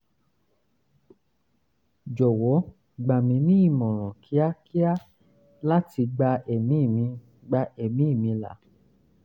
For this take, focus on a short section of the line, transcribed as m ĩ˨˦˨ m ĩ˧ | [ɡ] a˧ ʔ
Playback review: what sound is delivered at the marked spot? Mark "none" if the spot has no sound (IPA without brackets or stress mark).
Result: ɡ͡b